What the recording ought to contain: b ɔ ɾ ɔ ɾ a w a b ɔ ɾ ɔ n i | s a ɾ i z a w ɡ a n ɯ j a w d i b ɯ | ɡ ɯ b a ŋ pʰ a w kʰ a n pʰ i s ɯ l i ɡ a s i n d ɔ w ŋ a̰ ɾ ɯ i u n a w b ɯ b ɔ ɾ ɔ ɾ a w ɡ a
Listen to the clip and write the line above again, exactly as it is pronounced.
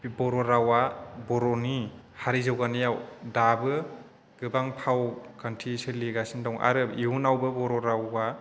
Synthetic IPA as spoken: b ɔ ɾ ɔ ɾ a w a b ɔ ɾ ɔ n i | h a ɾ i z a w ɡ a n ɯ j a w d a b ɯ | ɡ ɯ b a ŋ pʰ a w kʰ a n tʰ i s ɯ l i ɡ a s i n d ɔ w ŋ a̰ ɾ ɯ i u n a w b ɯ b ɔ ɾ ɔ ɾ a w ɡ a